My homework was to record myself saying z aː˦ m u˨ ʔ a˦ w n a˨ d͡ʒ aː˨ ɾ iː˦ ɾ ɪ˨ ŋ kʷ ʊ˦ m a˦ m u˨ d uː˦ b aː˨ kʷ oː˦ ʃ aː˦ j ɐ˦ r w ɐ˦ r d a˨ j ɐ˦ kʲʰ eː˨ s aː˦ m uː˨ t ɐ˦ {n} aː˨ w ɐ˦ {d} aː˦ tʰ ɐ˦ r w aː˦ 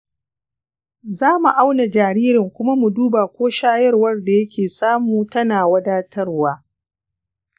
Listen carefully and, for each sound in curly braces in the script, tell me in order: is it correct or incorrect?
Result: correct, correct

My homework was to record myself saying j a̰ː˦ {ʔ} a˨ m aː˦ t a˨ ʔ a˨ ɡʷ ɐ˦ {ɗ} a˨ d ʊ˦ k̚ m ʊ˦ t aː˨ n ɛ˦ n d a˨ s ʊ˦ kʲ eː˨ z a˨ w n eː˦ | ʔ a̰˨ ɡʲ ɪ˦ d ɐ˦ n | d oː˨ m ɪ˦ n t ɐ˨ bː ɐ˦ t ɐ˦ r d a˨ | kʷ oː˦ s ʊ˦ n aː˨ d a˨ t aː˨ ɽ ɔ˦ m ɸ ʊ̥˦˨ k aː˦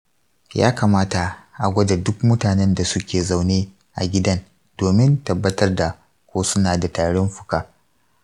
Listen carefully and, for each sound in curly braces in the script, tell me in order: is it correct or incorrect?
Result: incorrect: k, incorrect: d

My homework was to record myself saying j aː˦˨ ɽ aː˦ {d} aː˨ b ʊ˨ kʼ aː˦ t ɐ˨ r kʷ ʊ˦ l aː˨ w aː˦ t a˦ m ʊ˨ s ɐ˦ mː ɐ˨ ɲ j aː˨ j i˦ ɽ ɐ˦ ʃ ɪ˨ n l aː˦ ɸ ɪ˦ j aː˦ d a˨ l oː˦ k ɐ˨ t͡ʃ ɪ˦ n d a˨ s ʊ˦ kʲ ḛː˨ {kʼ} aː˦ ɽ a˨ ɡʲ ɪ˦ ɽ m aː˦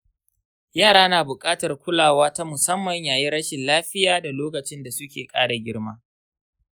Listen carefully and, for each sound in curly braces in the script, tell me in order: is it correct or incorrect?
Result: incorrect: n, correct

